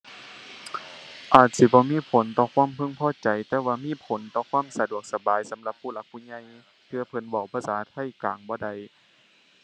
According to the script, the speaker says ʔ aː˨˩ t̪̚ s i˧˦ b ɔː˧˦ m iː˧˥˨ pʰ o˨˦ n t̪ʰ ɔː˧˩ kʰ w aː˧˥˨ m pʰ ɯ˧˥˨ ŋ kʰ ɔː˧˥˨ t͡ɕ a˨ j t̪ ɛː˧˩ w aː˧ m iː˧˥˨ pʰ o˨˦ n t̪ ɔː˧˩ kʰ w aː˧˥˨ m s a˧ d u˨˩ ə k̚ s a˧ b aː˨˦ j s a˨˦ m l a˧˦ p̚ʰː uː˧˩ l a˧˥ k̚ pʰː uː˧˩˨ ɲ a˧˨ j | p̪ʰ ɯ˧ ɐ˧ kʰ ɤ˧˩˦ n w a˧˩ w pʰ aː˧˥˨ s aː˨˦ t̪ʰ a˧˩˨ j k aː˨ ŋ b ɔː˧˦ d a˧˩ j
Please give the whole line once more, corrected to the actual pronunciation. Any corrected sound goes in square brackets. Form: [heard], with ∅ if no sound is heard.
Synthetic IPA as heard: ʔ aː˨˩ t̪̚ s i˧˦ b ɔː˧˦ m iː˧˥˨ pʰ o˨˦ n [t̪] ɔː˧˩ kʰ w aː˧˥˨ m pʰ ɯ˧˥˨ ŋ [pʰ] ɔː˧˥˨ t͡ɕ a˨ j t̪ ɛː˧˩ w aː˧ m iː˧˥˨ pʰ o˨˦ n t̪ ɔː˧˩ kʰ w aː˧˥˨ m s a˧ d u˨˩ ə k̚ s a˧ b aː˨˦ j s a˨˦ m l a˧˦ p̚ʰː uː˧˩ l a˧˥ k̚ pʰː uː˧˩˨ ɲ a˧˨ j | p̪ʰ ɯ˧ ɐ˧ [pʰ] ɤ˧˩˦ n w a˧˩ w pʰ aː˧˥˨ s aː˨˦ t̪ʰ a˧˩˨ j k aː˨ ŋ b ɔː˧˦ d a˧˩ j